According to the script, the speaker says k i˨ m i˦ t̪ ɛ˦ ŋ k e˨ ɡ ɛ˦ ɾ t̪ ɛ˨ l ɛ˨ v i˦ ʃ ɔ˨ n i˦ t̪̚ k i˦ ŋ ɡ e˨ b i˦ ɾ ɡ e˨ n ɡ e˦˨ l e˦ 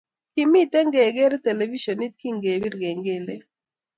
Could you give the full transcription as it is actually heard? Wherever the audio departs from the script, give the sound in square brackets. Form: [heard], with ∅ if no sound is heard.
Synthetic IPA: k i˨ m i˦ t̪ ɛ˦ ŋ [ɡ] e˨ ɡ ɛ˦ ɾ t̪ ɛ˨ l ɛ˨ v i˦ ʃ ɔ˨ n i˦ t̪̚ k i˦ ŋ ɡ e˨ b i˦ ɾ ɡ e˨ [ŋ] ɡ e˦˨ l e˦